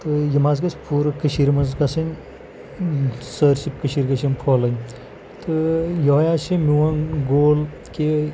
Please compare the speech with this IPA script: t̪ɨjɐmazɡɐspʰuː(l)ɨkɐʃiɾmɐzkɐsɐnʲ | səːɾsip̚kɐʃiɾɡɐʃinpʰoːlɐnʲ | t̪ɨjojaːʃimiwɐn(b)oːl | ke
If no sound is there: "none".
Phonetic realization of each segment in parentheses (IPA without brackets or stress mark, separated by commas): ɾ, ɡ